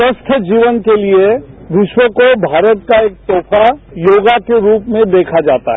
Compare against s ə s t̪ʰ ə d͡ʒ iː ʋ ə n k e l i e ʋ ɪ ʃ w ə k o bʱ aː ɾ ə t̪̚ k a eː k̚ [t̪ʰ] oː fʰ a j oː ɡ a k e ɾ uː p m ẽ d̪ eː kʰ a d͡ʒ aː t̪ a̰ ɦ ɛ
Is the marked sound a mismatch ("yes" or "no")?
yes